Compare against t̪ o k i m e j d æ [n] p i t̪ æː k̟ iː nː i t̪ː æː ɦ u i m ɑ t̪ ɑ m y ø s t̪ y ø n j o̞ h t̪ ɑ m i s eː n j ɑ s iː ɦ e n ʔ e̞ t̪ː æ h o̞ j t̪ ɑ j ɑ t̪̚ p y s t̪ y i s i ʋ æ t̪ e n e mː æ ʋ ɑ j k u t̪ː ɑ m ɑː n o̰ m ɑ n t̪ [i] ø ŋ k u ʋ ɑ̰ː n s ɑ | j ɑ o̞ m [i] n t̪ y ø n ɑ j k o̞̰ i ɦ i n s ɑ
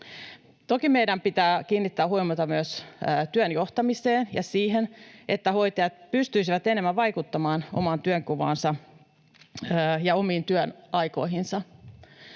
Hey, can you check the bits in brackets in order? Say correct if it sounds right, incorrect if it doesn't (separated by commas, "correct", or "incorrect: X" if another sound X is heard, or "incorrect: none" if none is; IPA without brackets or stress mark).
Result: incorrect: m, incorrect: y, incorrect: iː